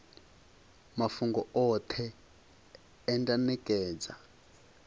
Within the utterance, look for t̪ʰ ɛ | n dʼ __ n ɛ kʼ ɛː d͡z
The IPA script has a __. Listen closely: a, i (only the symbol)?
a